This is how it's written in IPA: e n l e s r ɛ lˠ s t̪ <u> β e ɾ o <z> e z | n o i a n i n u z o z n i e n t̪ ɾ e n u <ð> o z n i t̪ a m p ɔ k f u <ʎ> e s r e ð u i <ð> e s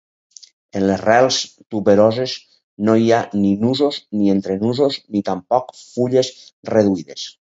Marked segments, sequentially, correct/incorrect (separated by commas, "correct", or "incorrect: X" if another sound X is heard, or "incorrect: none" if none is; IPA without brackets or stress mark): correct, correct, incorrect: z, correct, correct